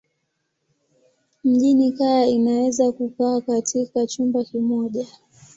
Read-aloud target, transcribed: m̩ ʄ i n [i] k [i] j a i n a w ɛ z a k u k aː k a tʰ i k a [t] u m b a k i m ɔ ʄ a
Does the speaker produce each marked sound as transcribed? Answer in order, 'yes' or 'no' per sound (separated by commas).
yes, no, no